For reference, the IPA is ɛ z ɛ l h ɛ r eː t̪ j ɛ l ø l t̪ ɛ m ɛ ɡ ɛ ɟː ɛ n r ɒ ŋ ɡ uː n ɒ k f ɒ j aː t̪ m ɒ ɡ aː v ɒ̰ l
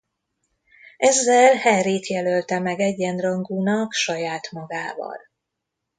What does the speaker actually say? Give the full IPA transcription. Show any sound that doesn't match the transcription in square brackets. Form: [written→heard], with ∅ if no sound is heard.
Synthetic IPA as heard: ɛ [z→zː] ɛ l h ɛ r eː t̪ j ɛ l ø l t̪ ɛ m ɛ ɡ ɛ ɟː ɛ n r ɒ ŋ ɡ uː n ɒ k [f→ʃ] ɒ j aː t̪ m ɒ ɡ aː v ɒ̰ l